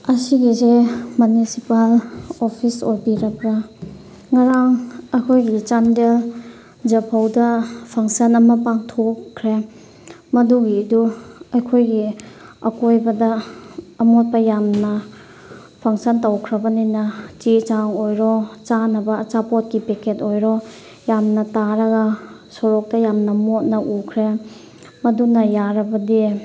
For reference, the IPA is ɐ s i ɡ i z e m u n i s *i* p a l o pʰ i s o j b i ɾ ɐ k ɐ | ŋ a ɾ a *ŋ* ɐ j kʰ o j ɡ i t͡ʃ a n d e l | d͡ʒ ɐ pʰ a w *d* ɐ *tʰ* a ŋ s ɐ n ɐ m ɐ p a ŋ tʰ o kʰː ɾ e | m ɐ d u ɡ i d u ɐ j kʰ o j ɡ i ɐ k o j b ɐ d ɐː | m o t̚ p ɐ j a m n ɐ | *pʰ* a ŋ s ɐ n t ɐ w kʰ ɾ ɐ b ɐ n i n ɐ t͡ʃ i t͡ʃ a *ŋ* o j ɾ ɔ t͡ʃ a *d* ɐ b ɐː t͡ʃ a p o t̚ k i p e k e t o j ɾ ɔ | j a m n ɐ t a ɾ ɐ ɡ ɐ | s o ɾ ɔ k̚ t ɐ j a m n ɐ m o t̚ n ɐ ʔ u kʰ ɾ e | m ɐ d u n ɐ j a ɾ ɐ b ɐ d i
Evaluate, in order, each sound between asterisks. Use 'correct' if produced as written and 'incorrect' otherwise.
correct, correct, correct, incorrect: pʰ, correct, correct, incorrect: n

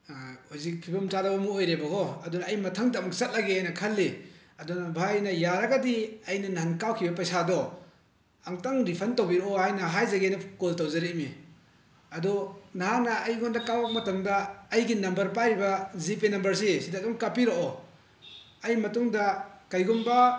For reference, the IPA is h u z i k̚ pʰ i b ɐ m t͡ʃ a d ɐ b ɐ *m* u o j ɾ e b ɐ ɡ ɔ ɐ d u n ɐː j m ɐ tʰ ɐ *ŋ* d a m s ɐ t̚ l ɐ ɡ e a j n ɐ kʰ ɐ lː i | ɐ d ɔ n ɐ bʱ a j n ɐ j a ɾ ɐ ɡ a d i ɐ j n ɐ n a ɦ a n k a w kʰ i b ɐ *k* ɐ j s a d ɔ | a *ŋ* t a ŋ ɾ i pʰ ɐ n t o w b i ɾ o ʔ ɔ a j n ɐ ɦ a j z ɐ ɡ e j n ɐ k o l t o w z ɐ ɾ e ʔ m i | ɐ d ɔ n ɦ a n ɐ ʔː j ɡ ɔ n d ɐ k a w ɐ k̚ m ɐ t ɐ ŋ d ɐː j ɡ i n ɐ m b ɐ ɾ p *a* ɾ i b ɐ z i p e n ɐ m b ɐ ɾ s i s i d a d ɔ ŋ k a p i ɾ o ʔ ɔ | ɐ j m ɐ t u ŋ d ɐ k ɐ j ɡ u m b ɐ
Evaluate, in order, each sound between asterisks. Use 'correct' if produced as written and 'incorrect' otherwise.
correct, correct, incorrect: p, correct, correct

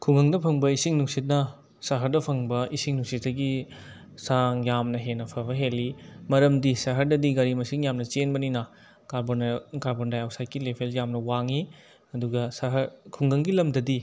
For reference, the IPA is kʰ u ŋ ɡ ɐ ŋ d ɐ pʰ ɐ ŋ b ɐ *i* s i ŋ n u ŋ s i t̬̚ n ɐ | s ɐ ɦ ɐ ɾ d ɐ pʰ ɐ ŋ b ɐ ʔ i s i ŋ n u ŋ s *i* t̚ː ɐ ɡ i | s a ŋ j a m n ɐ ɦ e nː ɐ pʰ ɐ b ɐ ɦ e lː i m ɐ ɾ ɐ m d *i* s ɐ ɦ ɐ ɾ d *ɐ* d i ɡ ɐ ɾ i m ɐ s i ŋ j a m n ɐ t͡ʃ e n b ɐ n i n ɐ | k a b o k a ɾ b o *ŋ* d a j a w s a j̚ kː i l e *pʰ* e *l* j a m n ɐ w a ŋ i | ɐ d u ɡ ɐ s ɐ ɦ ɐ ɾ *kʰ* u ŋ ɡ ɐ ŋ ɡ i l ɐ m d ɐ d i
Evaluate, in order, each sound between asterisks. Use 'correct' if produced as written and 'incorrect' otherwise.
correct, correct, correct, correct, incorrect: n, correct, correct, correct

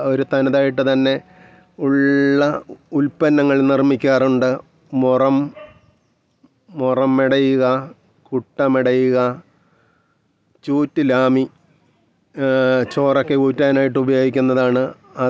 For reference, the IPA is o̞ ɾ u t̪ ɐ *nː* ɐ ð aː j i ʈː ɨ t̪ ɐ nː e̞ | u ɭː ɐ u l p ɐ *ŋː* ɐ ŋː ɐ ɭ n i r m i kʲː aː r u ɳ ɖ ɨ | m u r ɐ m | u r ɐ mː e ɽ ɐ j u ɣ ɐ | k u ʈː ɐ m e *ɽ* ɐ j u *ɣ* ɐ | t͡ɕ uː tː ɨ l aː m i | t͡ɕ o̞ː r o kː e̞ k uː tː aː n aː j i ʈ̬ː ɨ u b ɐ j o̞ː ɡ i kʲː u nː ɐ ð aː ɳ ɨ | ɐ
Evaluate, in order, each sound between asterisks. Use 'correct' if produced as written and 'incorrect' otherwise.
incorrect: n, incorrect: nː, correct, correct

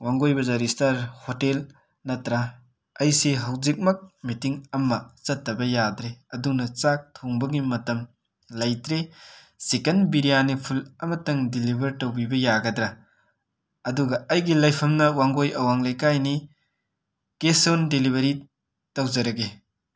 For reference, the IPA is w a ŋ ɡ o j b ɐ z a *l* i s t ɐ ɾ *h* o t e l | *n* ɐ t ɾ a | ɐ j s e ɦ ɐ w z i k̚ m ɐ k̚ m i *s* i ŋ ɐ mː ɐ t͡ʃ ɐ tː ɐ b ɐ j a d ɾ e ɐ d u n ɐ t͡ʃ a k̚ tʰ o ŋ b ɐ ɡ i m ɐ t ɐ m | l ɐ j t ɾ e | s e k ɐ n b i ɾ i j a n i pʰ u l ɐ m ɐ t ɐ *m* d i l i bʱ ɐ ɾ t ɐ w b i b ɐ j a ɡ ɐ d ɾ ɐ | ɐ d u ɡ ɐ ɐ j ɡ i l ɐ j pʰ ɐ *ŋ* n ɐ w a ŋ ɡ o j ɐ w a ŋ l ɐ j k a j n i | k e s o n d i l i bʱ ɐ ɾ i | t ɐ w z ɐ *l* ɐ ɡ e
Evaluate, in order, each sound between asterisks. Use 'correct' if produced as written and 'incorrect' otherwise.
incorrect: ɾ, correct, correct, incorrect: t, incorrect: ŋ, incorrect: m, incorrect: ɾ

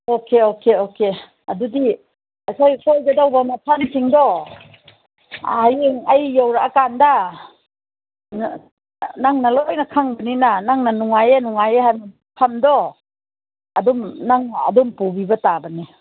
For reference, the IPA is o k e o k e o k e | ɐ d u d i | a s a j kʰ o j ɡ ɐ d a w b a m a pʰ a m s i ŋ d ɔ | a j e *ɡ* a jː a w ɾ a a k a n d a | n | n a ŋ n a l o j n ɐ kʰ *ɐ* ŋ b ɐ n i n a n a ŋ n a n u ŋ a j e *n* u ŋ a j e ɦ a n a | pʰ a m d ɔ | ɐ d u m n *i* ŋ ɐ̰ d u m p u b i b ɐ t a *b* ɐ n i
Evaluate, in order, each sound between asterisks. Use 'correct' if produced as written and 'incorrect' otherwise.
incorrect: ŋ, incorrect: a, correct, incorrect: a, correct

